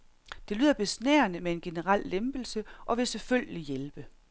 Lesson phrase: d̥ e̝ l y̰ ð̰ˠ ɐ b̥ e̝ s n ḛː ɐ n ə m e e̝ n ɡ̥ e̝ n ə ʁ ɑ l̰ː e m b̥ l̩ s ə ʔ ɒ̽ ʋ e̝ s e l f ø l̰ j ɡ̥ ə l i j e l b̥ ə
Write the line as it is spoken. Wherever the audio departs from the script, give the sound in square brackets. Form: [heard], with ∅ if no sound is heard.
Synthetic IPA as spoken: d̥ e̝ l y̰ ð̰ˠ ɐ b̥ e̝ s n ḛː ɐ n ə m e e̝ n ɡ̥ e̝ n ə ʁ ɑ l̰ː e m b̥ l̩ s ə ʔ ɒ̽ ʋ e̝ s e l f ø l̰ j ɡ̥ ə l i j e l b̥ ə